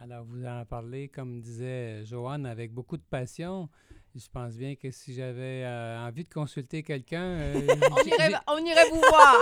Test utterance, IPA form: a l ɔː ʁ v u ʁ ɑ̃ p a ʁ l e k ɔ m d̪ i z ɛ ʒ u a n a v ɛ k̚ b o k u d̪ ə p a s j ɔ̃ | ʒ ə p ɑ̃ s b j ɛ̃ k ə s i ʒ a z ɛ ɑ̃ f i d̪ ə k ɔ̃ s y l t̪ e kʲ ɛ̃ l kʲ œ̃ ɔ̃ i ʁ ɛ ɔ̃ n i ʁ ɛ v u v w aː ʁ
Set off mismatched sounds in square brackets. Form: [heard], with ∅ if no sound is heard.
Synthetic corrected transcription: a l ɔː ʁ v u [z] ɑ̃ p a ʁ l e k ɔ m d̪ i z ɛ ʒ [o] a n a v ɛ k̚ b o k u d̪ ə p a s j ɔ̃ | ʒ ə p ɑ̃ s b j ɛ̃ k ə s i ʒ a [v] ɛ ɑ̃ [v] i d̪ ə k ɔ̃ s y l t̪ e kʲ [ɛ] l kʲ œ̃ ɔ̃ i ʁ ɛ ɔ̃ n i ʁ ɛ v u v w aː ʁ